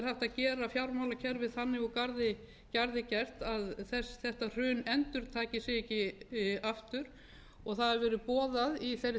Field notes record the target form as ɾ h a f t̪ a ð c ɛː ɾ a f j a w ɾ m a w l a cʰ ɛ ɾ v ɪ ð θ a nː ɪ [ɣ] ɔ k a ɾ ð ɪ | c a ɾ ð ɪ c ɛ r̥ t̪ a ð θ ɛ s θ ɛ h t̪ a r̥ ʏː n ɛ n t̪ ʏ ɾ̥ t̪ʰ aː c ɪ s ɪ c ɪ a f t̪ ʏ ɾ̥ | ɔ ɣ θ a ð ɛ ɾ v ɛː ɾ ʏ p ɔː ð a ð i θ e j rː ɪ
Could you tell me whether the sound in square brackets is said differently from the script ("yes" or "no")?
no